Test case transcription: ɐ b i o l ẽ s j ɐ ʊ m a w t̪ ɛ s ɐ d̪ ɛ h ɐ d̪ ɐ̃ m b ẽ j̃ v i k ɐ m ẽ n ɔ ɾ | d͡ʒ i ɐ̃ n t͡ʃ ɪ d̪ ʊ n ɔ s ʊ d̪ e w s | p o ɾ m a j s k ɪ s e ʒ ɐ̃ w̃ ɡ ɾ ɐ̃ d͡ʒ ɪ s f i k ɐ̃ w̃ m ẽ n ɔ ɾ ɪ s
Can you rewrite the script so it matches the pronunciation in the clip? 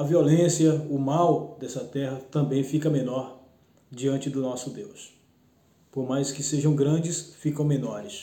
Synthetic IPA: ɐ v i o l ẽ s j ɐ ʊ m a w d̪ ɛ s ɐ t̪ ɛ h ɐ t̪ ɐ̃ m b ẽ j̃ f i k ɐ m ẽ n ɔ ɾ | d͡ʒ i ɐ̃ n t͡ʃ ɪ d̪ ʊ n ɔ s ʊ d̪ e w s | p o ɾ m a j s k ɪ s e ʒ ɐ̃ w̃ ɡ ɾ ɐ̃ d͡ʒ ɪ s f i k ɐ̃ w̃ m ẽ n ɔ ɾ ɪ s